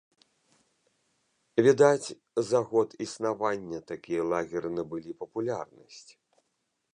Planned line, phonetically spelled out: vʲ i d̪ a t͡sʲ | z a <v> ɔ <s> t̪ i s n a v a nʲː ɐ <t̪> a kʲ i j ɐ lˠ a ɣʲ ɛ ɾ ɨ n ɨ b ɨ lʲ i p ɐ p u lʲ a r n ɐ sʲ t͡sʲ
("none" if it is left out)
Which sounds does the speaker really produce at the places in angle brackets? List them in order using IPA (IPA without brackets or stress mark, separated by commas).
ɣ, none, t̪